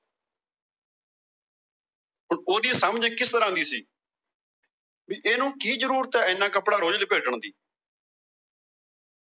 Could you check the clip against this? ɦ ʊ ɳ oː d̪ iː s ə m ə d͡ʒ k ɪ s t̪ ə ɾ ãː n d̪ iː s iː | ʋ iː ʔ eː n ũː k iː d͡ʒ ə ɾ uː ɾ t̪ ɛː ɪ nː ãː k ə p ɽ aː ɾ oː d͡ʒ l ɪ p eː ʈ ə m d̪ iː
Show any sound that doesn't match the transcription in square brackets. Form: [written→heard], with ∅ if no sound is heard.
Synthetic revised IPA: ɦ ʊ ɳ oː d̪ iː s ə m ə d͡ʒ k ɪ s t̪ ə ɾ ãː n d̪ iː s iː | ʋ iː ʔ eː n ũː k iː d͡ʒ ə ɾ uː ɾ t̪ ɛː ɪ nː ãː k ə p ɽ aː ɾ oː d͡ʒ l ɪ p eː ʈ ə [m→ɳ] d̪ iː